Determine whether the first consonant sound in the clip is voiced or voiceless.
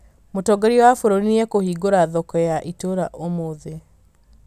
voiced